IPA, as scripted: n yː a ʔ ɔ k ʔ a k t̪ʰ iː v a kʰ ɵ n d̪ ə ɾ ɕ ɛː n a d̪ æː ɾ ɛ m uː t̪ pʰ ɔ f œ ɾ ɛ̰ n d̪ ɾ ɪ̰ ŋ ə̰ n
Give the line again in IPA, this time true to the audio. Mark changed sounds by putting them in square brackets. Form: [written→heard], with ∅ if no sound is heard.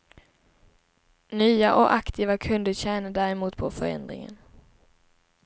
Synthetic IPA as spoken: n yː a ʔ ɔ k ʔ a k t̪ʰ iː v a kʰ ɵ n d̪ ə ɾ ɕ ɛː n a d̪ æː ɾ ɛ m uː t̪ pʰ ɔ f œ ɾ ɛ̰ n d̪ ɾ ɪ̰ ŋ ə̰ n